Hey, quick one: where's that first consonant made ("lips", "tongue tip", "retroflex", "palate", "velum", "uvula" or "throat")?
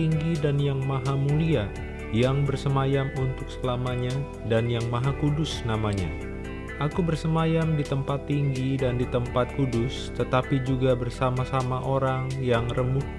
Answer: velum